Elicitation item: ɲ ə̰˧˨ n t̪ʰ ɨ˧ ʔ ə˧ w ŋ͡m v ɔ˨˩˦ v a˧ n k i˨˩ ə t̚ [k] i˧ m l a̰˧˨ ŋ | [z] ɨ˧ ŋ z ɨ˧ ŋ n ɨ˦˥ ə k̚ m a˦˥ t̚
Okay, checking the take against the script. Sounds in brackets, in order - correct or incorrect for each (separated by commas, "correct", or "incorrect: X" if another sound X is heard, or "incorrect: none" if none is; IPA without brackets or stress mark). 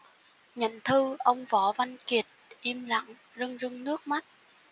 incorrect: ʔ, correct